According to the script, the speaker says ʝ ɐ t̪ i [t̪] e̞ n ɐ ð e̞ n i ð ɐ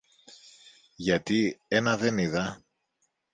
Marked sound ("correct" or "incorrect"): incorrect